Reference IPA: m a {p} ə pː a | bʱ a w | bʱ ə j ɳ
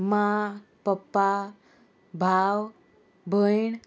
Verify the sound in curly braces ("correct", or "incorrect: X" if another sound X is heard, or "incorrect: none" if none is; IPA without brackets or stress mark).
correct